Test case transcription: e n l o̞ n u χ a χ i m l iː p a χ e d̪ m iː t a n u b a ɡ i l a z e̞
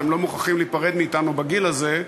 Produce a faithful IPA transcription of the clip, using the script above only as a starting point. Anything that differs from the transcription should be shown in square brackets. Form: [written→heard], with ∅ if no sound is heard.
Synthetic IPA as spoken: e [n→m] l o̞ [n→m] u χ a χ i m l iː p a [χ→ʁ] e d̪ m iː t a n u b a ɡ i l a z e̞

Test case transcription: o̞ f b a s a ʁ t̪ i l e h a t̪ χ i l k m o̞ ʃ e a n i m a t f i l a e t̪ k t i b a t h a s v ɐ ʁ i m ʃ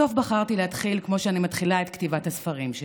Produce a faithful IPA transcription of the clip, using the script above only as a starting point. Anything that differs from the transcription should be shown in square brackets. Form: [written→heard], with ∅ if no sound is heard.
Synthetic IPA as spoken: o̞ f b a [s→χ] a ʁ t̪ i l e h a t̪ χ i l k m o̞ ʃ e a n i m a t [f→χ] i l a e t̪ k t i [b→v] a t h a s [v→f] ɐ ʁ i m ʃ

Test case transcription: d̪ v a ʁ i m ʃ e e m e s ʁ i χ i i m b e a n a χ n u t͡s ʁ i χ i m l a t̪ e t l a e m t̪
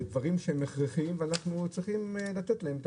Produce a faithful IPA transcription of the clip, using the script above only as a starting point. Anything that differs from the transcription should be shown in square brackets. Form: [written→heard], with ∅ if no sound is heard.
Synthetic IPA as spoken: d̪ v a ʁ i m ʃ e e m e [s→χ] ʁ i χ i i m [b→v] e a n a χ n u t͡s ʁ i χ i m l a t̪ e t l a e m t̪

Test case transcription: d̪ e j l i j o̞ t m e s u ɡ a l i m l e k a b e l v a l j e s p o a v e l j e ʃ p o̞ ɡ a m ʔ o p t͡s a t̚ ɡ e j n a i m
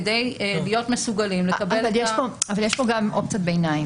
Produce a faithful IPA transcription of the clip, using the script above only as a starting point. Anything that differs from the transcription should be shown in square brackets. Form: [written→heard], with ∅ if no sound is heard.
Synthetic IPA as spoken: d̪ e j l i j o̞ t m e s u ɡ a l i m l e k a b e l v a l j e [s→ʃ] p o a v [e→a] l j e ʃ p o̞ ɡ a m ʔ o p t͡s a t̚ [ɡ→b] e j n a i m

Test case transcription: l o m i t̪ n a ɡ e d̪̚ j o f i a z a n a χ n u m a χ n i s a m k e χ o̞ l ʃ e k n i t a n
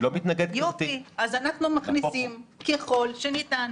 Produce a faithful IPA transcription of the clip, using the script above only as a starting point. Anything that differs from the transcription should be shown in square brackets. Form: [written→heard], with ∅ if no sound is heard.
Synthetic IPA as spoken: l o m i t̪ n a ɡ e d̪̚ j o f i a z a n a χ n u m a χ n i s [a→i] m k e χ o̞ l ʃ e [k→∅] n i t a n

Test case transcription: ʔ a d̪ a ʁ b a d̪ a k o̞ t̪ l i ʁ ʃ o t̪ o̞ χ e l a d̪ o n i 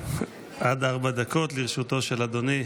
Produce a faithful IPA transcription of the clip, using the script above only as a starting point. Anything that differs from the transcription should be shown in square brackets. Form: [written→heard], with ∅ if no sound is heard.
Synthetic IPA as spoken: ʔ a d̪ a ʁ b a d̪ a k o̞ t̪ l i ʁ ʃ [o→u] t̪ o̞ [χ→ʃ] e l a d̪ o n i

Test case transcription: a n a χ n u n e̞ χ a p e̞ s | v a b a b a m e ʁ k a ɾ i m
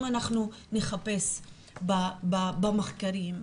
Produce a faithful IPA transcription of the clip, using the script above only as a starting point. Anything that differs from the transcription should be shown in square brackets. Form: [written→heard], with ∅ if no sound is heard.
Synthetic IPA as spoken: a n a χ n u n e̞ χ a p e̞ s | [v→b] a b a b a m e [ʁ→χ] k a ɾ i m

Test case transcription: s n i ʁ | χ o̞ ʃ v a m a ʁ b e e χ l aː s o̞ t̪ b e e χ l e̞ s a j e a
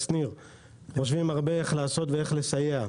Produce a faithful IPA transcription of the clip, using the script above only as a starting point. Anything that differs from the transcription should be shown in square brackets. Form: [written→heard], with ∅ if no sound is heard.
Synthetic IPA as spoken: s n i ʁ | χ o̞ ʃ v [a→i] m a ʁ b e e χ l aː s o̞ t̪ [b→v] e e χ l e̞ s a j e a

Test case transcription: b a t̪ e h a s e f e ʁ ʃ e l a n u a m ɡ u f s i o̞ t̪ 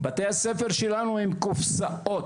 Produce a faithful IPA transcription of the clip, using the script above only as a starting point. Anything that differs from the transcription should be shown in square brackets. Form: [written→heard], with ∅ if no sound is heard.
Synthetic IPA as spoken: b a t̪ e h a s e f e ʁ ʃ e l a n u [a→i] m [ɡ→k] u f s [i→a] o̞ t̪

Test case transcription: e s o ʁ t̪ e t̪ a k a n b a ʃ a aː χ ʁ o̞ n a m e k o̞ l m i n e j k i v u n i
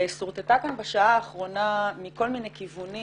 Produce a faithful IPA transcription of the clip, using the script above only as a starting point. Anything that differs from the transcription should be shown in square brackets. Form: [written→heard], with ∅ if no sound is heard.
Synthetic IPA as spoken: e s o ʁ t̪ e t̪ a k a n b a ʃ a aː χ ʁ o̞ n a m [e→i] k o̞ l m i n e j k i v u n i

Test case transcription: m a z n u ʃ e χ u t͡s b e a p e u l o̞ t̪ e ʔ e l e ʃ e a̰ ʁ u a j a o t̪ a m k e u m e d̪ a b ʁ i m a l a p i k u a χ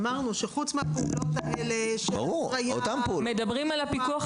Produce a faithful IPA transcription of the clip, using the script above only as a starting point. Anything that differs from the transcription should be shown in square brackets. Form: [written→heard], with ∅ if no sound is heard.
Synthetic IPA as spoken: m a [z→ʁ] n u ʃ e χ u t͡s [b→m] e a p e u l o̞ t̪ [e→a] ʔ e l e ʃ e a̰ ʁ u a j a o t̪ a m [k→p] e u m e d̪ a b ʁ i m a l a p i k u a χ

